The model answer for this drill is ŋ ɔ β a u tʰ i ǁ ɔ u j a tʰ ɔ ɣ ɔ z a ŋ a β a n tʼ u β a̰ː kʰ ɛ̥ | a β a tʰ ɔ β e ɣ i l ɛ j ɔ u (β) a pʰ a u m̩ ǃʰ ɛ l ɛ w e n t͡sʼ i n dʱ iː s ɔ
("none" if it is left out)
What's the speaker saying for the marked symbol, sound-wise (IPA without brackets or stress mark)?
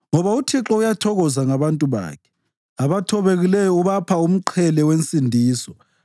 β